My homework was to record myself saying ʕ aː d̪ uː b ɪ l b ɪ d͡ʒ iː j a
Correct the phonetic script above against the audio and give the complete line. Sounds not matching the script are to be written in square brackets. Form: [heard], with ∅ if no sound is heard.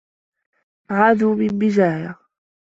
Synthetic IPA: ʕ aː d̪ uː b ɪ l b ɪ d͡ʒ [aː] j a

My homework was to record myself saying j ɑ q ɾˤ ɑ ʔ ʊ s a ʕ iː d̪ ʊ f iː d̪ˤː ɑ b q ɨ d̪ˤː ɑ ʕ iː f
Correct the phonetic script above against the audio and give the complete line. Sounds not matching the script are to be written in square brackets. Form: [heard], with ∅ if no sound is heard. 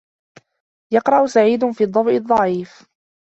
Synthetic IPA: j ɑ q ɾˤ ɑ ʔ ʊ s a ʕ iː d̪ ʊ f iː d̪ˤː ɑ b [ʔ] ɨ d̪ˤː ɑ ʕ iː f

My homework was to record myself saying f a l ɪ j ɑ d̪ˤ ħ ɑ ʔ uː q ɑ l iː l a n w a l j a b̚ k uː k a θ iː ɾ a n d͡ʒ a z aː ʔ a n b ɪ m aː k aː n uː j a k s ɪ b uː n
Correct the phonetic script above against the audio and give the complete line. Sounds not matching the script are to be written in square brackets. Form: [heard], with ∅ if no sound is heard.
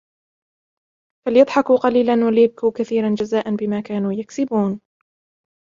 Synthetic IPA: f a l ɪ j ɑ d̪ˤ ħ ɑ [k] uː q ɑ l iː l a n w a l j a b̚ k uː k a θ iː ɾ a n d͡ʒ a z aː ʔ a n b ɪ m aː k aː n uː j a k s ɪ b uː n

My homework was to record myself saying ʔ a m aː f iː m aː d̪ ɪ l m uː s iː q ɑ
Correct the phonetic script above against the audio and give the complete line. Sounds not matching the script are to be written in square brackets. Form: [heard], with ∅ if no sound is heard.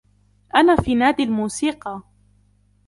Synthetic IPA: ʔ a [n] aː f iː [n] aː d̪ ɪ l m uː s iː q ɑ

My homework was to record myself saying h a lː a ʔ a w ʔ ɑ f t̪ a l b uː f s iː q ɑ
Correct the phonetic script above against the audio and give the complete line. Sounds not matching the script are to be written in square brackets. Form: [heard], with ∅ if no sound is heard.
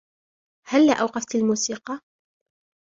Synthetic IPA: h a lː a ʔ a w [q] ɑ f t̪ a l [m] uː [∅] s iː q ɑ

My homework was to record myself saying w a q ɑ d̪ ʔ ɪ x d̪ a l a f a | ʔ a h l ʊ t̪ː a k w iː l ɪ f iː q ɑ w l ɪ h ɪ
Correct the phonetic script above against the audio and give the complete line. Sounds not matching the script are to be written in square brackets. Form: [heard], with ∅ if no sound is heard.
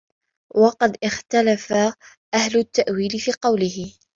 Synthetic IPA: w [ɑ] q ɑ d̪ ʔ ɪ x [t̪] a l a f a | ʔ a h l ʊ t̪ː a [ʔ] w iː l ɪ f iː q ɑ w l ɪ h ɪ

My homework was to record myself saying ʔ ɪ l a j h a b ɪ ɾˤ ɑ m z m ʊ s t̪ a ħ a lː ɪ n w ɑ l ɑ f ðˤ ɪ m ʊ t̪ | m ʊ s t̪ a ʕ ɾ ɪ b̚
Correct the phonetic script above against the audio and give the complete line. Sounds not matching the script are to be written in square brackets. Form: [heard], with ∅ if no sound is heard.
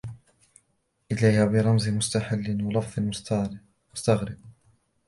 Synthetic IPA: ʔ ɪ l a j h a b ɪ ɾˤ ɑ m z m ʊ s t̪ a ħ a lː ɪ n w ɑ l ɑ f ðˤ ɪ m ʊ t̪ | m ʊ s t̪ a [ɣ] ɾ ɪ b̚

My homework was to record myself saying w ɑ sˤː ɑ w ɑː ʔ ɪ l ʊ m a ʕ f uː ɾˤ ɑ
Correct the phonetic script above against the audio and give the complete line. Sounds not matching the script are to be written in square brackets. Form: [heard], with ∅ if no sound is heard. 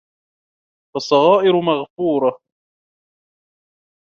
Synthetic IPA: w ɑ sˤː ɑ [ɣ] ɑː ʔ ɪ [ɾ] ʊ m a [ɣ] f uː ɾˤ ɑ

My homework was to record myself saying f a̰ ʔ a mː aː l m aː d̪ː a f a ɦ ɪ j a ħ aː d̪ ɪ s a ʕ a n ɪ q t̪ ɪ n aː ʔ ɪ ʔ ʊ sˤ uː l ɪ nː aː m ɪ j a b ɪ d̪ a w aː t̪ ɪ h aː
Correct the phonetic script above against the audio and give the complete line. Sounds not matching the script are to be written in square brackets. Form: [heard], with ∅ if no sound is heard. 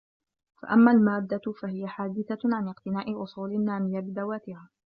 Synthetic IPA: f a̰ ʔ a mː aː l m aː d̪ː a f a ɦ ɪ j a ħ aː d̪ ɪ [θ] a ʕ a n ɪ q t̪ ɪ n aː ʔ ɪ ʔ ʊ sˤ uː l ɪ nː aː m ɪ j a b ɪ d̪ a w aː t̪ ɪ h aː

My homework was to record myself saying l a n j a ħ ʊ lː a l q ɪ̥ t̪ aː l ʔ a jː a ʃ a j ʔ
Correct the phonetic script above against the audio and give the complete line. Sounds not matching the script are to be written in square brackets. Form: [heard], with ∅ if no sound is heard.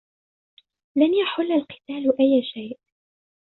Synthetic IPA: l a n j a ħ ʊ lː a l q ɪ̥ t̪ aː l ʔ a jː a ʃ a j ʔ

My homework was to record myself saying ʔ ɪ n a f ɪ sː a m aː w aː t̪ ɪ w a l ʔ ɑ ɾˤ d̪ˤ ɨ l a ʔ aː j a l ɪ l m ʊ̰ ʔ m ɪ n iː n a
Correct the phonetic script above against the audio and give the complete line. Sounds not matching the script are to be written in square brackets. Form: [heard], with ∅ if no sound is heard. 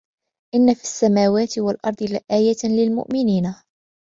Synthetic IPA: ʔ ɪ [nː] a f [i] sː a m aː w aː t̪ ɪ w a l ʔ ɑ ɾˤ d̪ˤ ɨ l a ʔ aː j a l ɪ l m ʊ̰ ʔ m ɪ n iː n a

